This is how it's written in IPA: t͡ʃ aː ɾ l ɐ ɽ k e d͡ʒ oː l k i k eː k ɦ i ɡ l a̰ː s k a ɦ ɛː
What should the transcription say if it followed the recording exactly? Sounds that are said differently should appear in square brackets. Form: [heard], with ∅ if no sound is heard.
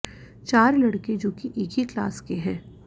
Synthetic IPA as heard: t͡ʃ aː ɾ l ɐ ɽ k e d͡ʒ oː [∅] k i [ʔ] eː k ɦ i [k] l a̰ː s k [e] ɦ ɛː